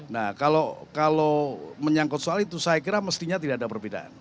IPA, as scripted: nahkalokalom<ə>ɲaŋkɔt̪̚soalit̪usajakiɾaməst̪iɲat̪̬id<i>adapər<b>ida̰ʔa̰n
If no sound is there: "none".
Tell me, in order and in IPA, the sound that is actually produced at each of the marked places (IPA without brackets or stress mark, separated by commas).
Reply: ə, a, b